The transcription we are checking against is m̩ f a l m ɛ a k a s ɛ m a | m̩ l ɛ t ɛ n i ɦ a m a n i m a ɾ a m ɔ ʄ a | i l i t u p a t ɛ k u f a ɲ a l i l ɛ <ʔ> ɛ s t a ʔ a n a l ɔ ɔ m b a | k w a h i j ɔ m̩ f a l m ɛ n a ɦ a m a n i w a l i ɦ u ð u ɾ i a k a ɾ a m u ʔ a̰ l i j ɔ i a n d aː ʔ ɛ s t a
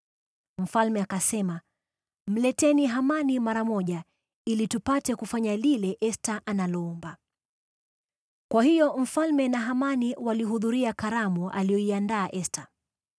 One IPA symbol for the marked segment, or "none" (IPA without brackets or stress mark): ʔ